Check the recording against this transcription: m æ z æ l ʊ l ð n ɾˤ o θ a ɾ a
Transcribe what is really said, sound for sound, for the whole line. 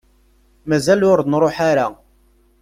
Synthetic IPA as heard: m æ z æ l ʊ ɾ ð n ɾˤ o ħ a ɾ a